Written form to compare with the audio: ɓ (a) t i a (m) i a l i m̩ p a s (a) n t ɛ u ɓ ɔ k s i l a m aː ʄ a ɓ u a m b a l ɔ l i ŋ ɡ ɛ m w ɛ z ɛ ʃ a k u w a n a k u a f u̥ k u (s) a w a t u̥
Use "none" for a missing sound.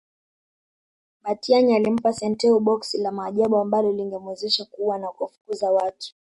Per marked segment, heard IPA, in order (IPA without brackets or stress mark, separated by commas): a, ɲ, ɛ, z